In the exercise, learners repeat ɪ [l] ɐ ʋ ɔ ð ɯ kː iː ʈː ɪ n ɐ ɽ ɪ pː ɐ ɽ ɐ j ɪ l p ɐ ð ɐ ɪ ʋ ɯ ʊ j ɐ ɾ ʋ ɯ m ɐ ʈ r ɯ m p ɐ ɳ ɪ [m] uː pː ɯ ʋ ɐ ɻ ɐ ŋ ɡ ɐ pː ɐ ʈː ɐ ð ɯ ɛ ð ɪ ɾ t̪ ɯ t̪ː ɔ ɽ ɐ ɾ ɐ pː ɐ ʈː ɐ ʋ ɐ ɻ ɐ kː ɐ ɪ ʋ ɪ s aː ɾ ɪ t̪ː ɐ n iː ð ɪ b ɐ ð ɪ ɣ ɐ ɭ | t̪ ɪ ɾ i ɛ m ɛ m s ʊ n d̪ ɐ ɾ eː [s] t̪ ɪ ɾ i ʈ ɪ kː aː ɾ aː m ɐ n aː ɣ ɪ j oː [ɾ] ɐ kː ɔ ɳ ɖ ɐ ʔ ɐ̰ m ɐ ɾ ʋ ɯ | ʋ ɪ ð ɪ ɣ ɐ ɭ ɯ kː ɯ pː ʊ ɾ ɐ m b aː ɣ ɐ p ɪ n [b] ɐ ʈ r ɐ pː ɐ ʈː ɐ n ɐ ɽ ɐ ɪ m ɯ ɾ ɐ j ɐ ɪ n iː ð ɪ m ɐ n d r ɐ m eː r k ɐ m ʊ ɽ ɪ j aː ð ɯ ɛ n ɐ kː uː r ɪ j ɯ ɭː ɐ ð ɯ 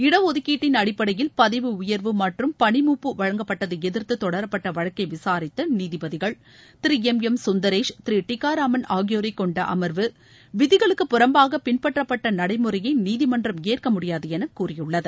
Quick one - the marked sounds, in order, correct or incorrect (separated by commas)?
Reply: incorrect, correct, incorrect, correct, incorrect